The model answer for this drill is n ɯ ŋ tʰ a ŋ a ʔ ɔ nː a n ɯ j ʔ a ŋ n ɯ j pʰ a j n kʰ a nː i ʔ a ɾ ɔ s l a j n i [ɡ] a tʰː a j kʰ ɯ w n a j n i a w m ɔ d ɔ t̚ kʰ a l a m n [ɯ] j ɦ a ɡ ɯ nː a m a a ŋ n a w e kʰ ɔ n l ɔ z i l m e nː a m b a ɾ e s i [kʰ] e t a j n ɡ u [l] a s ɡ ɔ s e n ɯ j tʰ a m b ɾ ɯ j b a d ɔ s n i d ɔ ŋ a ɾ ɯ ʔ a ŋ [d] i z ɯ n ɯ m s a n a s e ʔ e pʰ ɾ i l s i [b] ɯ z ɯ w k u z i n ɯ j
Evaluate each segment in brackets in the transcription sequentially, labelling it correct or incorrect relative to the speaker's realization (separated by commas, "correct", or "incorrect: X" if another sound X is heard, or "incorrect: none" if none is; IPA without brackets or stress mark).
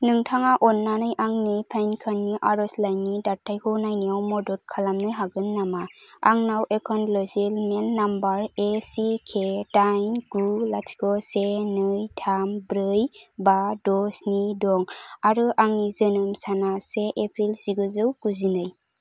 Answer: incorrect: d, correct, correct, correct, incorrect: n, incorrect: ɡ